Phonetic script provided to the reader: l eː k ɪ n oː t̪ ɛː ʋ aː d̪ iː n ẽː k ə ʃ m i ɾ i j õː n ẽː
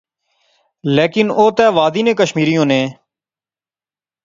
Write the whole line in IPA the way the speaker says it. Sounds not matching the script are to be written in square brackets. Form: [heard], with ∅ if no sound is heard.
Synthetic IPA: l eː k ɪ n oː t̪ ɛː ʋ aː d̪ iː n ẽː k ə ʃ m [iː] ɾ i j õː n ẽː